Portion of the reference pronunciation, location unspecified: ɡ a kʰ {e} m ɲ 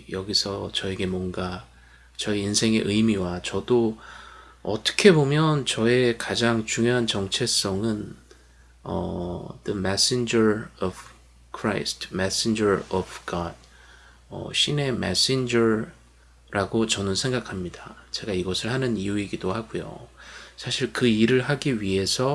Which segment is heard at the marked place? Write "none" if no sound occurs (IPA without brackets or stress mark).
a